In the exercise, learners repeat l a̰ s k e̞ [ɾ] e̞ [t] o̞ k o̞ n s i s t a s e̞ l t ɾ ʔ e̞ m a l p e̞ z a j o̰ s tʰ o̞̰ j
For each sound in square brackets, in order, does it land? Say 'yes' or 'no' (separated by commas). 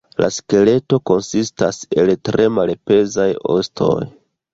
no, yes